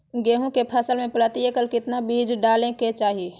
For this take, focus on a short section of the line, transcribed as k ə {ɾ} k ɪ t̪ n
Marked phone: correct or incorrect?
incorrect